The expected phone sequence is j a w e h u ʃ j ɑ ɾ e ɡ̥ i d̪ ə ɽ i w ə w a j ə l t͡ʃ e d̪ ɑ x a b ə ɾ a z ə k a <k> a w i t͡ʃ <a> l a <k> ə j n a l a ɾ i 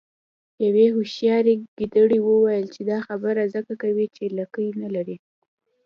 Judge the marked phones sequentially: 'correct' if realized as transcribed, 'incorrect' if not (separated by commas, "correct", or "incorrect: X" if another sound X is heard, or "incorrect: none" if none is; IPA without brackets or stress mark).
correct, incorrect: e, correct